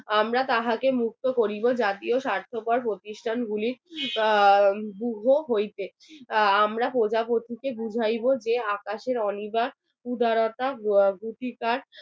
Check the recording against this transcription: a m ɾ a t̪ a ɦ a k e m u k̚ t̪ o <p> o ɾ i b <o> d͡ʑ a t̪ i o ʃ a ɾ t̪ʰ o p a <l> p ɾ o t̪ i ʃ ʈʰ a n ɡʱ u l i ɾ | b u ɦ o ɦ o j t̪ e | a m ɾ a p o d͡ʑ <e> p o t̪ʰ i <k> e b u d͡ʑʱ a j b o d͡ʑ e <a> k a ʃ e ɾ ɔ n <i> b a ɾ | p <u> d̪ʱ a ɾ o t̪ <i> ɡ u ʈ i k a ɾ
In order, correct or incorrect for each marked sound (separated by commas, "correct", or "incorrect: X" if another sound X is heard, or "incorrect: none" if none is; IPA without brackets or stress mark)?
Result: incorrect: k, correct, incorrect: ɾ, incorrect: a, correct, correct, correct, correct, incorrect: a